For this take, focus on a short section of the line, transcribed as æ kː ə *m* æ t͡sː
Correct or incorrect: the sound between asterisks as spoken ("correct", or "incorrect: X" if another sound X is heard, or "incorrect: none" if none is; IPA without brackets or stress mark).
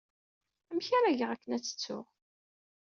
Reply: incorrect: n